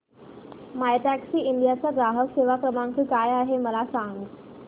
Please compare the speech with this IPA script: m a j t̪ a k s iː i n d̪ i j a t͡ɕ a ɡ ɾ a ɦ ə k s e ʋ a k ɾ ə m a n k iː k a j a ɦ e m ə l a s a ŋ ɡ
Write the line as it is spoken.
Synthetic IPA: m a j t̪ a k s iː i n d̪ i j a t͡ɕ a ɡ ɾ a ɦ ə k s e ʋ a k ɾ ə m a ŋ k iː k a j a ɦ e m ə l a s a ŋ ɡ